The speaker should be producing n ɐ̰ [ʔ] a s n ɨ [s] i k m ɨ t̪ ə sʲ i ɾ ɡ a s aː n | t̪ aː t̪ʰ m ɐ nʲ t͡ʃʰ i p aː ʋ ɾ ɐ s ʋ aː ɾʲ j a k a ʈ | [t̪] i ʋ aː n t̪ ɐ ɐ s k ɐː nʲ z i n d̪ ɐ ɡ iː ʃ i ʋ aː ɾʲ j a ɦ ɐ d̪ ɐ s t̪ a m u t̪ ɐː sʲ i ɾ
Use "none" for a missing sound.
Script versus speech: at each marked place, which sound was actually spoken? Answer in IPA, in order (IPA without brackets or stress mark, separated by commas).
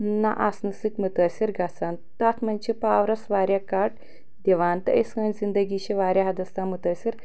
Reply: ʔ, s, d̪